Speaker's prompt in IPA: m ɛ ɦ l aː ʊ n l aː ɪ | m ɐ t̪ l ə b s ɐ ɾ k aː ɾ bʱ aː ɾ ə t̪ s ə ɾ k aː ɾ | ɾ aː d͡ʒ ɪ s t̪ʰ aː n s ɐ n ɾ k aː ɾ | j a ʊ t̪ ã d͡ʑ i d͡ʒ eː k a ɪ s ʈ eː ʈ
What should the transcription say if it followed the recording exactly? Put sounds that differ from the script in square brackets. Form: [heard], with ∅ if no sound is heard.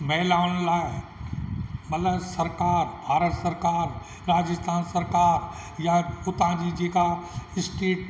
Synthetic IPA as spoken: m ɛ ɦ l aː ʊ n l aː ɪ | m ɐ t̪ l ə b s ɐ ɾ k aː ɾ bʱ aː ɾ ə t̪ s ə ɾ k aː ɾ | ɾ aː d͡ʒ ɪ s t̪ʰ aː n s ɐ [∅] ɾ k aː ɾ | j a ʊ t̪ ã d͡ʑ i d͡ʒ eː k a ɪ s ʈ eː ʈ